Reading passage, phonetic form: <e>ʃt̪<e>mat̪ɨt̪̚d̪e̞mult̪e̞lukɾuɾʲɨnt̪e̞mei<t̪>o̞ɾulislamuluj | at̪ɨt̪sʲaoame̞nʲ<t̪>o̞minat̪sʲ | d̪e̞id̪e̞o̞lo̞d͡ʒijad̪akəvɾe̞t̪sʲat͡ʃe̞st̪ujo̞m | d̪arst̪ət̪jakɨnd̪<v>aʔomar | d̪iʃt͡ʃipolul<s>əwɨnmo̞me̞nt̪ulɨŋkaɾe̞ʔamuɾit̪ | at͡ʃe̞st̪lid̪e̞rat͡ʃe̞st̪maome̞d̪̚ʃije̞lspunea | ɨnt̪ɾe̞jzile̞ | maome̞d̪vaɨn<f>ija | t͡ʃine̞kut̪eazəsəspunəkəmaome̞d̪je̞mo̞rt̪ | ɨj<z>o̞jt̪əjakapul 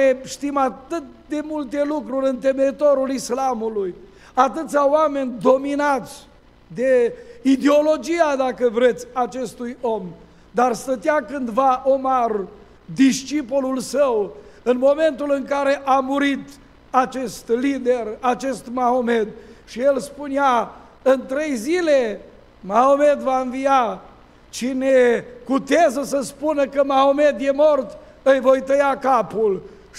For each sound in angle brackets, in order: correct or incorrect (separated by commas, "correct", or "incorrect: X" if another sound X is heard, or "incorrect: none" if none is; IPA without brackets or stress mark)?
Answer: correct, incorrect: i, correct, incorrect: d̪, correct, correct, incorrect: v, incorrect: v